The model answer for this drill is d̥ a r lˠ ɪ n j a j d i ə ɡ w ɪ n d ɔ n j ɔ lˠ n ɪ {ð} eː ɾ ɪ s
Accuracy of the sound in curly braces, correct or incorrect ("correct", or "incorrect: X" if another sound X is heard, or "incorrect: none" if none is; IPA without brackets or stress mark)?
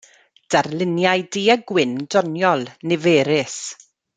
incorrect: v